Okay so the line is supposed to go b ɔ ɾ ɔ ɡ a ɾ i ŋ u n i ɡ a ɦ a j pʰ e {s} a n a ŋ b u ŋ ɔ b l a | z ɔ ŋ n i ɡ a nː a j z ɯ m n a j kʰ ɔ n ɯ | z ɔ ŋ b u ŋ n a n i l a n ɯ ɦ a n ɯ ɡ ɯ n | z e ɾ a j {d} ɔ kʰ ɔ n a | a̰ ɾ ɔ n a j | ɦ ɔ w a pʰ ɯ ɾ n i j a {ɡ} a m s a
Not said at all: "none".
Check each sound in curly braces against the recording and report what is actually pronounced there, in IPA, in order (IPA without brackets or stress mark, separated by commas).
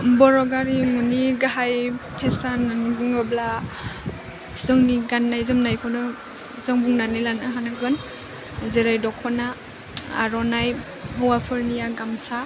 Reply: s, d, ɡ